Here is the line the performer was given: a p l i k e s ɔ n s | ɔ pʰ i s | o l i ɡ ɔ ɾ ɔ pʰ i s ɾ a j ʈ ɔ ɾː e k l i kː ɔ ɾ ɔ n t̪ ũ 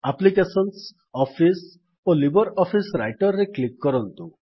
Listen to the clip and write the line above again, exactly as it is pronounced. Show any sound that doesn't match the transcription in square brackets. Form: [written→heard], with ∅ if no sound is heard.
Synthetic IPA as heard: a p l i k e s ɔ n s | ɔ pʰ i s | o l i [ɡ→b] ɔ ɾ ɔ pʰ i s ɾ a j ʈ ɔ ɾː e k l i kː ɔ ɾ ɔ n t̪ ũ